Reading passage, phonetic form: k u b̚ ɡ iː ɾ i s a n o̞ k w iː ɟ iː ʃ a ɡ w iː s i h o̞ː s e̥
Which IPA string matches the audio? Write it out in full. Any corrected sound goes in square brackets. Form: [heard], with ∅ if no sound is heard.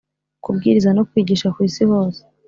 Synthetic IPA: k u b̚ ɡ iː ɾ i [z] a n o̞ k w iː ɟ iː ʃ a [k] w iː s i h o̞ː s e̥